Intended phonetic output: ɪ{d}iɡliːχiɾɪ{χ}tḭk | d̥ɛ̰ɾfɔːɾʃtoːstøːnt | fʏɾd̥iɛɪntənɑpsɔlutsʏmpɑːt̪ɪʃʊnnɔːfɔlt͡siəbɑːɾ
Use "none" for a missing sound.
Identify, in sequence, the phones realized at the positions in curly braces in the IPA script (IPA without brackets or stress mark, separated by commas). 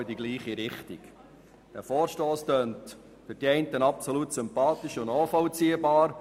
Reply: d, χ